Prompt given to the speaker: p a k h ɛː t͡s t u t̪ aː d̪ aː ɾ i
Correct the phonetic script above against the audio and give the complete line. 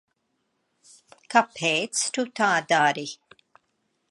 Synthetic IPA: k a p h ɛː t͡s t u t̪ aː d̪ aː ɾ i